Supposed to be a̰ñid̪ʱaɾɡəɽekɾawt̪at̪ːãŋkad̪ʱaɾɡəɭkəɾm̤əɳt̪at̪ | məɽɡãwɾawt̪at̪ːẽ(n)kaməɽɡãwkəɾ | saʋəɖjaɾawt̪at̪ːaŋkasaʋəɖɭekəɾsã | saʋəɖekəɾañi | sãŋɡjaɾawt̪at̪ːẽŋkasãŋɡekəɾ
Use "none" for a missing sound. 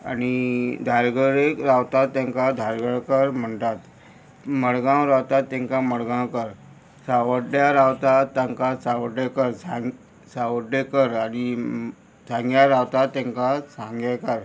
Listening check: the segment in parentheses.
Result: ŋ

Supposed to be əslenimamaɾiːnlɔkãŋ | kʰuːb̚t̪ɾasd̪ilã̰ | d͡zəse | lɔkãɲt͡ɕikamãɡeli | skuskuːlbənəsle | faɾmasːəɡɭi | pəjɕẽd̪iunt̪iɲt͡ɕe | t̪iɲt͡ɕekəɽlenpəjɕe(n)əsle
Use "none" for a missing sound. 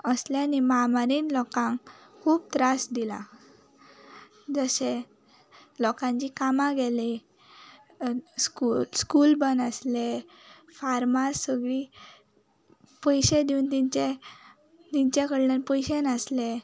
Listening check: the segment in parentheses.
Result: n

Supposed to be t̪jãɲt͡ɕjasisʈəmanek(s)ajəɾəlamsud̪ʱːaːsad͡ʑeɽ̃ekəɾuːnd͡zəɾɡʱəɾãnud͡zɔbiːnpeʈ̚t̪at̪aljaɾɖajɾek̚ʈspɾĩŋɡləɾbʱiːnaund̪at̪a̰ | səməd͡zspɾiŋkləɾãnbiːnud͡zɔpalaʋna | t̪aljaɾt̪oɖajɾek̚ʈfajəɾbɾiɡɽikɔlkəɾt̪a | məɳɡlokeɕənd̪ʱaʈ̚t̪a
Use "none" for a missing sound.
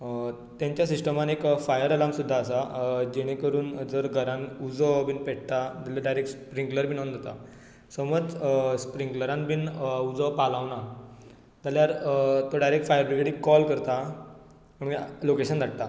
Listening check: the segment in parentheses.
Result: f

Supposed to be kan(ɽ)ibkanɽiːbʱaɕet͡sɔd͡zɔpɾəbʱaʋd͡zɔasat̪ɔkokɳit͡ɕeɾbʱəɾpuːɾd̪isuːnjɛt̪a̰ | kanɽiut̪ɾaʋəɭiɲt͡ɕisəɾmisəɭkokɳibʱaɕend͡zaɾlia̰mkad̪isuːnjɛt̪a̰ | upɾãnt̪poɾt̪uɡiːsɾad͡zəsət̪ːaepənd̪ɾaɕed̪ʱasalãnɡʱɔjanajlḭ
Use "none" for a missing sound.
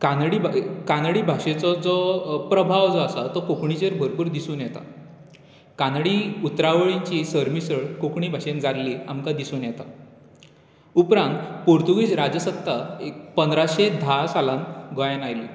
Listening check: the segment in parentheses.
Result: ɽ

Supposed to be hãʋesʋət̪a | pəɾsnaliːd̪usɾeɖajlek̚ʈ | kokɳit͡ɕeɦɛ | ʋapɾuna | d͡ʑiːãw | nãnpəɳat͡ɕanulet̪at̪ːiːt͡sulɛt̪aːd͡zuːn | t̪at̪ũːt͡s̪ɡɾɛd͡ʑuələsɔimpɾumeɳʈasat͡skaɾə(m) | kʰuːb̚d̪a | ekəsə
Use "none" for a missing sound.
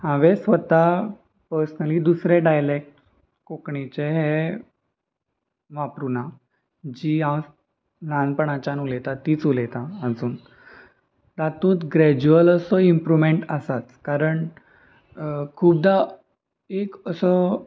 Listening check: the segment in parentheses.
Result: ɳ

